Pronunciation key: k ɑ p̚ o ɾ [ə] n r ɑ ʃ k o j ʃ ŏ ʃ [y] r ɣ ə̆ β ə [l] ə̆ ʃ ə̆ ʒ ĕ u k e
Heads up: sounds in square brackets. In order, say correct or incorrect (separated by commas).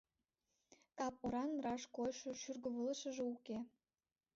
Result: incorrect, correct, correct